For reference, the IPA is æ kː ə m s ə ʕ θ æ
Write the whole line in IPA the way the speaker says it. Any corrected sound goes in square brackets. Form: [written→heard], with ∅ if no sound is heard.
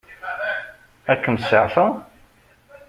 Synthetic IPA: æ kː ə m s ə ʕ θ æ